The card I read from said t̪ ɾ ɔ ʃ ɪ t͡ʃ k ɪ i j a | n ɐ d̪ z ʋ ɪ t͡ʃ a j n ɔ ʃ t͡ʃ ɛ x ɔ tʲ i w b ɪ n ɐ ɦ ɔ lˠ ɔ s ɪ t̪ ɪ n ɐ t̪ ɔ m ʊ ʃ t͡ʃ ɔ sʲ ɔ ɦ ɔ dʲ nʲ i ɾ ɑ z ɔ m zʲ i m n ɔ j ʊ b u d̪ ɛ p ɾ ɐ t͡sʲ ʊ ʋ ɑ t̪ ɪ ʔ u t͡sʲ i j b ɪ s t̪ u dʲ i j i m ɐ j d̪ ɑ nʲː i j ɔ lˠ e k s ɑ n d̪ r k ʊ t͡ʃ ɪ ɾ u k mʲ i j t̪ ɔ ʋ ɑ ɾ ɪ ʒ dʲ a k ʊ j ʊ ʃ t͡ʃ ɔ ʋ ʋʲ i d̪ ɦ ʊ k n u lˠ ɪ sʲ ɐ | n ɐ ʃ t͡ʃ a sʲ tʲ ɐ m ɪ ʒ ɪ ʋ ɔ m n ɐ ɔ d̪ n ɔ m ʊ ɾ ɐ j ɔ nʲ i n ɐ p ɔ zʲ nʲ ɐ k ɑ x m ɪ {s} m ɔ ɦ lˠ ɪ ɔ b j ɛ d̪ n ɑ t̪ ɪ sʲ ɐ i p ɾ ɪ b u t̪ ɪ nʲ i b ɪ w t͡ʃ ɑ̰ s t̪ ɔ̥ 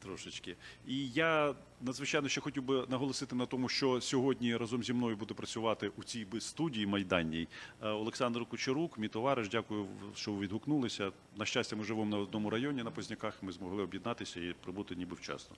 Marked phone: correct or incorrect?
incorrect: z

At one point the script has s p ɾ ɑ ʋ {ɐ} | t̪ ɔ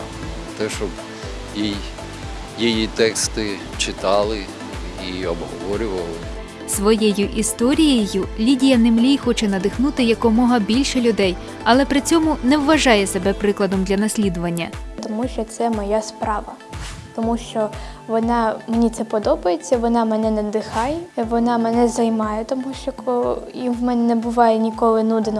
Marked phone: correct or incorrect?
correct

